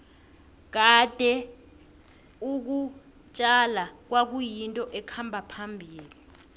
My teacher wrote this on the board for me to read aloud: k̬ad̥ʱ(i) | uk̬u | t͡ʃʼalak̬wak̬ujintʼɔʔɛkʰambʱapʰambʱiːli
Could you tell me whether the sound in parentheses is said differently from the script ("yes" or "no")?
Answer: yes